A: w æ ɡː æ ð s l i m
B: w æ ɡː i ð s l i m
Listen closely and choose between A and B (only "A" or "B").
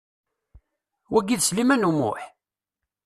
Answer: B